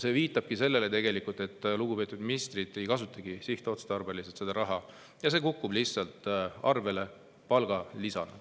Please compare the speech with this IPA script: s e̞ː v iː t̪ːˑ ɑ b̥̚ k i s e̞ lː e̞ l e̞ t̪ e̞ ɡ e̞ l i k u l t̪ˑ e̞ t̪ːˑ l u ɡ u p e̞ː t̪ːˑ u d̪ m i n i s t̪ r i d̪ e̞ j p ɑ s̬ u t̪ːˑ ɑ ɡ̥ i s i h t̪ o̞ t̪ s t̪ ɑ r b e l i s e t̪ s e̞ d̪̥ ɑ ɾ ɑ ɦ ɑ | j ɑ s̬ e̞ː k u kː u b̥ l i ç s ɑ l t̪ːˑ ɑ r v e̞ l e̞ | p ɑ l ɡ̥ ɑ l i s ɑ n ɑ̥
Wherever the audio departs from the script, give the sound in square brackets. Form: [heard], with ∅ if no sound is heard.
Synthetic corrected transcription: s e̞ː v iː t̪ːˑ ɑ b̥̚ k i s e̞ lː e̞ l e̞ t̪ e̞ ɡ e̞ l i k u l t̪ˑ e̞ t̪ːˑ l u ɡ u p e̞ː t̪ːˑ u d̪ m i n i s t̪ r i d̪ e̞ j [k] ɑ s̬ u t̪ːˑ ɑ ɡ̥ i s i h t̪ o̞ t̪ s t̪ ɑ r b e l i s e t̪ s e̞ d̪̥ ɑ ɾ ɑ ɦ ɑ | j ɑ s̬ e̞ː k u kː u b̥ l i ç s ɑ l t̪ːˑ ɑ r v e̞ l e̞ | p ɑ l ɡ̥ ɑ l i s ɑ n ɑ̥